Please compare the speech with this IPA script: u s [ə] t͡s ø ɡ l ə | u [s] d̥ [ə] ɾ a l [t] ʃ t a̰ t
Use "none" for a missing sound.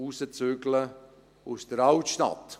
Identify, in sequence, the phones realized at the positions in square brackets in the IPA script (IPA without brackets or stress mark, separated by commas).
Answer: ə, s, ə, t